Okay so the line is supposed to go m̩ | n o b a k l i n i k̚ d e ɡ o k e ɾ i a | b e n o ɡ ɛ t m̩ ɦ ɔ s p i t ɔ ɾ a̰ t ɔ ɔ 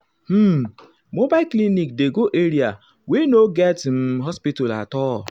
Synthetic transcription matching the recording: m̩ | m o b a k l i n i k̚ d e ɡ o ʔ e ɾ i a | w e n o ɡ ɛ t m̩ ɦ ɔ s p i t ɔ l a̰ t ɔ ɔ